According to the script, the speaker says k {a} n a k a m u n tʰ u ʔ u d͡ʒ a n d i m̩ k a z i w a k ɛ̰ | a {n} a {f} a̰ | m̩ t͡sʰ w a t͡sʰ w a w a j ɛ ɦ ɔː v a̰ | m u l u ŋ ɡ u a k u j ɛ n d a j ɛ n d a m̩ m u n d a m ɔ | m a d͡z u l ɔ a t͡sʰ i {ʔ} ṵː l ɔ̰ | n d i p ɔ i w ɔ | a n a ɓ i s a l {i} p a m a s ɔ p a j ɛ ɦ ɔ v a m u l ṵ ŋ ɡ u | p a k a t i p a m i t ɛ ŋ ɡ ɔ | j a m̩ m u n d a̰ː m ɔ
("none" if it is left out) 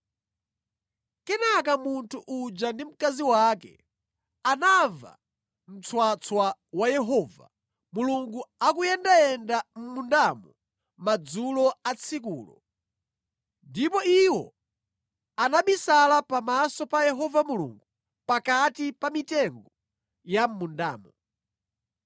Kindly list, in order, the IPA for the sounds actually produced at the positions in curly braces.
ɛ, n, v, k, a

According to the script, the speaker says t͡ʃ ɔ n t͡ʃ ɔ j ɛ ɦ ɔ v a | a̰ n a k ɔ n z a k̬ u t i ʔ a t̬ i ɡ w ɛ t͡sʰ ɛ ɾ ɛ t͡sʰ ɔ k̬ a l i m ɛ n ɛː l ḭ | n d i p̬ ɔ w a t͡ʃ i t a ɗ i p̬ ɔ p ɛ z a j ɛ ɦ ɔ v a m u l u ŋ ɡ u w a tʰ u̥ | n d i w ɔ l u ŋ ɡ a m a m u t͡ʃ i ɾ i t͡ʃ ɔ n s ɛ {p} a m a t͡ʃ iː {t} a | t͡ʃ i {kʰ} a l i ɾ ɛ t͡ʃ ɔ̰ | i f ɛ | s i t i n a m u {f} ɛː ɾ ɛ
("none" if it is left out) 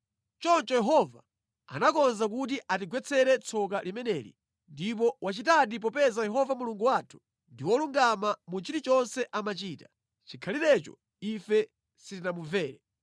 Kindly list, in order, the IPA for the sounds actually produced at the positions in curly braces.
ʔ, t, kʰ, v

